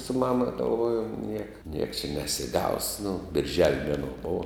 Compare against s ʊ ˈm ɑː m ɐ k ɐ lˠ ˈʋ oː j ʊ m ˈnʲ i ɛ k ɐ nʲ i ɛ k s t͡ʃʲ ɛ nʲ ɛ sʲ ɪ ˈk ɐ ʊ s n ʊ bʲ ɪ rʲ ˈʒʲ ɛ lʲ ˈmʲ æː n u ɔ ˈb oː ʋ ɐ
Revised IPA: s ʊ ˈm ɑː m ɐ ɡ ɐ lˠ ˈʋ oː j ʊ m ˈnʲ i ɛ k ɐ nʲ i ɛ k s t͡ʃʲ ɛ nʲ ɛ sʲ ɪ ˈɡ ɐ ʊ s n ʊ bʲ ɪ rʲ ˈʒʲ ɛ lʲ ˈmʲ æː n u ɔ ˈb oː ʋ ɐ